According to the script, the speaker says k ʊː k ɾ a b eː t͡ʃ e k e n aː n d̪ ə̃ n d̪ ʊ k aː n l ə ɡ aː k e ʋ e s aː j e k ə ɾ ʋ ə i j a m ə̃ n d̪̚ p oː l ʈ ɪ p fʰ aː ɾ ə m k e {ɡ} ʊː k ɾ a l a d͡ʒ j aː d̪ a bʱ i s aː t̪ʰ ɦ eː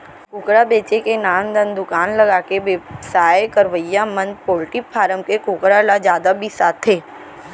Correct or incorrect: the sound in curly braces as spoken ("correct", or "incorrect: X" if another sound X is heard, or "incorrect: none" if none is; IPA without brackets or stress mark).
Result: incorrect: k